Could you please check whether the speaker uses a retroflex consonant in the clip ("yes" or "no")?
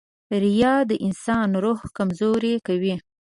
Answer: no